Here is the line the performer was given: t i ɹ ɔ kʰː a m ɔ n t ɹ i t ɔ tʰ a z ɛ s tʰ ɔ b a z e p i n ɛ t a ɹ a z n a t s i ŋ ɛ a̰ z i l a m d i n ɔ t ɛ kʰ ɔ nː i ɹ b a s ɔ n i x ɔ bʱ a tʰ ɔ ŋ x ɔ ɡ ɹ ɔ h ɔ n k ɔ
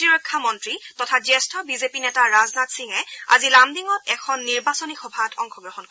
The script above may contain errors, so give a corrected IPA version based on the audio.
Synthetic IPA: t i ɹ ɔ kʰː a m ɔ n t ɹ i t ɔ tʰ a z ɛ s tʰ ɔ b i z e p i n ɛ t a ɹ a z n a t s i ŋ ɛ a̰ z i l a m d i ŋ ɔ t ɛ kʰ ɔ nː i ɹ b a s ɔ n i x ɔ bʱ a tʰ ɔ ŋ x ɔ ɡ ɹ ɔ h ɔ n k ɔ